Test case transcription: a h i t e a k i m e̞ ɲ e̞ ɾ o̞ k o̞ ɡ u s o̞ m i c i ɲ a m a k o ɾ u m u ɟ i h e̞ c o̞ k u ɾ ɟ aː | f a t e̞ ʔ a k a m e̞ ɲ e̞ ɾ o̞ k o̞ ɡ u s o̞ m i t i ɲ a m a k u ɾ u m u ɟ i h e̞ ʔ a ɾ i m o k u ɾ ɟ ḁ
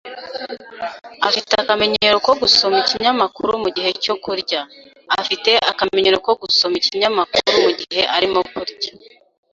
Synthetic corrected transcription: a f i t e a k a m e̞ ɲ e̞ ɾ o̞ k o̞ ɡ u s o̞ m i c i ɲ a m a k u ɾ u m u ɟ i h e̞ c o̞ k u ɾ ɟ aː | f i t e̞ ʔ a k a m e̞ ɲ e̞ ɾ o̞ k o̞ ɡ u s o̞ m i c i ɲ a m a k u ɾ u m u ɟ i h e̞ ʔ a ɾ i m o k u ɾ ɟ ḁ

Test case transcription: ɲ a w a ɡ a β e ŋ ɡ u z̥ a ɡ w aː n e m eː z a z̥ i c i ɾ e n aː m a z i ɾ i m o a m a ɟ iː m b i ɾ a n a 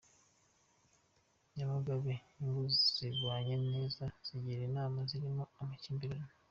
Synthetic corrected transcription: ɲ a β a ɡ a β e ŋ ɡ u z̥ i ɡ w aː ɲ e n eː z a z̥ i ɟ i ɾ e n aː m a z i ɾ i m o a m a c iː m b i ɾ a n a

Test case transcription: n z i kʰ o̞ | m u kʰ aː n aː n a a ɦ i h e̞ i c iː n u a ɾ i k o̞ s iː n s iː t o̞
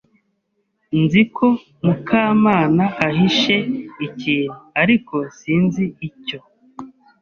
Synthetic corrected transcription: n z i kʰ o̞ | m u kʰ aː m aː n a a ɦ i ʃ e̞ i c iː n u a ɾ i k o̞ s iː n z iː c o̞

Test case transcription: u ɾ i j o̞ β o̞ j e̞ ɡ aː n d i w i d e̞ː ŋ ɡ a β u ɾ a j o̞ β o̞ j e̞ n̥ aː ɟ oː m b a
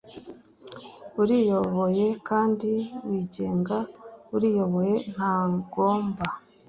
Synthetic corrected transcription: u ɾ i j o̞ β o̞ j e̞ k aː n d i w i ɟ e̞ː ŋ ɡ a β u ɾ i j o̞ β o̞ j e̞ n̥ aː ɡ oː m b a

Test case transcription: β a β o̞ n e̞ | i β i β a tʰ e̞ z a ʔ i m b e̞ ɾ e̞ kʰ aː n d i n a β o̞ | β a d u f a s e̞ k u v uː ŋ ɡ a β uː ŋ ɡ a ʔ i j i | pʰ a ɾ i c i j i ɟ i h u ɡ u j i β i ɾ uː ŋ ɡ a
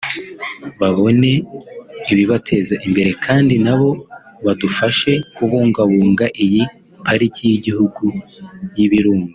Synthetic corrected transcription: β a β o̞ n e̞ | i β i β a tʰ e̞ z a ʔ i m b e̞ ɾ e̞ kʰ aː n d i n a β o̞ | β a d u f a ʃ e̞ k u β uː ŋ ɡ a β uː ŋ ɡ a ʔ i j i | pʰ a ɾ i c i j i ɟ i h u ɡ u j i β i ɾ uː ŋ ɡ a

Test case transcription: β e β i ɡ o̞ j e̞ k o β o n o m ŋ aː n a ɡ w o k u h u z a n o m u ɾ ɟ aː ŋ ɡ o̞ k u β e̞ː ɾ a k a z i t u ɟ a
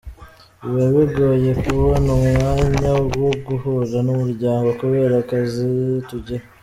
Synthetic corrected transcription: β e β i ɡ o̞ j e̞ k u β o n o m ŋ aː ɲ a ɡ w o ɡ u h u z a n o m u ɾ ɟ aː ŋ ɡ o̞ k u β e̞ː ɾ a k a z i t u ɟ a

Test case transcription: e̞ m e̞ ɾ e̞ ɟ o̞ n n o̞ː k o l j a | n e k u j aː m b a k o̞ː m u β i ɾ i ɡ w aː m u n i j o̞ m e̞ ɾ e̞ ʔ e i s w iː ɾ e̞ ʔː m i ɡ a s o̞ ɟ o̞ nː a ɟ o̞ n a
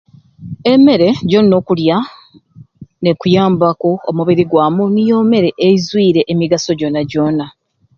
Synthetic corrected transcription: e̞ m e̞ ɾ e̞ ɟ o̞ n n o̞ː k u l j a | n e k u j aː m b a k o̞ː m u β i ɾ i ɡ w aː m u n i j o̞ m e̞ ɾ e̞ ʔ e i z w iː ɾ e̞ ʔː m i ɡ a s o̞ ɟ o̞ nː a ɟ o̞ n a

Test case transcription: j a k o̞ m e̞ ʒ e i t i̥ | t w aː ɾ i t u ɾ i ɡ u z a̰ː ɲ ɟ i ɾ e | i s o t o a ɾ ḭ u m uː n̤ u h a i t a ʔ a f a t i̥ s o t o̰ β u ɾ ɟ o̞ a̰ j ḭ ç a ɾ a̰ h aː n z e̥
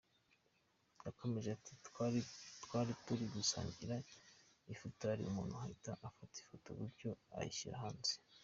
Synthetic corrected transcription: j a k o̞ m e̞ ʒ e a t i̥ | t w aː ɾ i t u ɾ i ɡ u s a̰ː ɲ ɟ i ɾ a | i f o t o a ɾ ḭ u m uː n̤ u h a i t a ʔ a f a t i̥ f o t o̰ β u ɾ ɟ o̞ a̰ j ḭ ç i ɾ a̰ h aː n z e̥

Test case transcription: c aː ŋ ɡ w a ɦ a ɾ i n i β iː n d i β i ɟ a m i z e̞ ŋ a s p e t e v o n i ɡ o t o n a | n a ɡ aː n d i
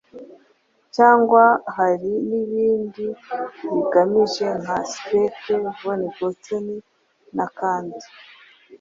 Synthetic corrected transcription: c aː ŋ ɡ w a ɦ a ɾ i n i β iː n d i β i ɡ a m i ʒ e̞ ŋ a s p e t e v o n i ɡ o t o n i | n a k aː n d i

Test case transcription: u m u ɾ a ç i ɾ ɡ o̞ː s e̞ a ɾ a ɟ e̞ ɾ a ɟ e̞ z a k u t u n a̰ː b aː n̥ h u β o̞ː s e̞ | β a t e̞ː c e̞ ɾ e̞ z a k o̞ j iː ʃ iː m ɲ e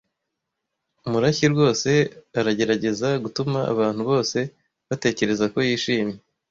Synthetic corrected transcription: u m u ɾ a ç i ɾ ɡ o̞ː s e̞ a ɾ a ɟ e̞ ɾ a ɟ e̞ z a ɡ u t u m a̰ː β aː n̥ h u β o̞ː s e̞ | β a t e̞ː c e̞ ɾ e̞ z a k o̞ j iː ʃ iː m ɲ e

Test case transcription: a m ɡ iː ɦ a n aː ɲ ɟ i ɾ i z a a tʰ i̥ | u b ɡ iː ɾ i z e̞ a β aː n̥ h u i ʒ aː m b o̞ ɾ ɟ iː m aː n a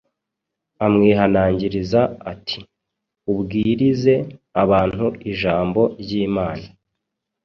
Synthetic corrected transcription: a m ŋ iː ɦ a n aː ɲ ɟ i ɾ i z a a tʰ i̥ | u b ɡ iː ɾ i z e̞ a β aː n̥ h u i ʒ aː m b o̞ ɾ ɟ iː m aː n a

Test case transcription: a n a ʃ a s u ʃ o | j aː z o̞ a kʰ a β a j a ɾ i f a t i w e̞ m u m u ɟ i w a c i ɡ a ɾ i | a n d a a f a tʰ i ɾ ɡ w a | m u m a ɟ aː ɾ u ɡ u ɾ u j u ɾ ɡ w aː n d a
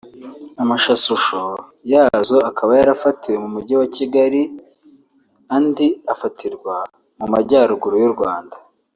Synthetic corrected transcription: a m a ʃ a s u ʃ o | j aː z o̞ a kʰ a β a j a ɾ a f a t i w e̞ m u m u ɟ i w a c i ɡ a ɾ i | a n d i a f a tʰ i ɾ ɡ w a | m u m a ɟ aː ɾ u ɡ u ɾ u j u ɾ ɡ w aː n d a

